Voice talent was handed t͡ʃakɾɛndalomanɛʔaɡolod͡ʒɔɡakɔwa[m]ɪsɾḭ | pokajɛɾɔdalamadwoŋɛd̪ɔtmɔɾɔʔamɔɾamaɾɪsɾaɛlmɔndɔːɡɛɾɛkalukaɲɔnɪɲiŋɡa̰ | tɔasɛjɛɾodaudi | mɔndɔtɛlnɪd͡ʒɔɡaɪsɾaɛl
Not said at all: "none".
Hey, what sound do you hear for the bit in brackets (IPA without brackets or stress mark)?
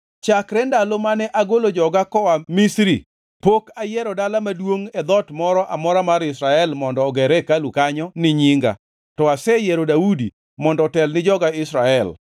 m